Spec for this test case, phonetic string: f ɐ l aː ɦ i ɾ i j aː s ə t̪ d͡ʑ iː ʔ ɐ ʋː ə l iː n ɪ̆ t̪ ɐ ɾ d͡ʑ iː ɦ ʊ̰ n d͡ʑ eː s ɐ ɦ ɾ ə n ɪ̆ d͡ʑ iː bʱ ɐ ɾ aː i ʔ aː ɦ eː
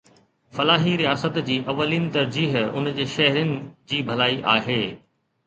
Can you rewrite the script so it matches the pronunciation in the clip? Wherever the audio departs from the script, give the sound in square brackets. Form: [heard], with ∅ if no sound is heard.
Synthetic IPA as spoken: f ɐ l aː ɦ i ɾ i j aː s ə t̪ d͡ʑ iː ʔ ɐ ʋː ə l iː n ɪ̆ t̪ ɐ ɾ d͡ʑ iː ɦ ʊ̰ n d͡ʑ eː [ʃ] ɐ ɦ ɾ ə n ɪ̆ d͡ʑ iː bʱ ɐ [l] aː i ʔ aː ɦ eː